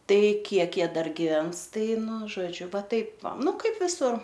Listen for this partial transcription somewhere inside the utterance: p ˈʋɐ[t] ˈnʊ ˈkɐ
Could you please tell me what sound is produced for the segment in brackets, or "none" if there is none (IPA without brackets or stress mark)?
none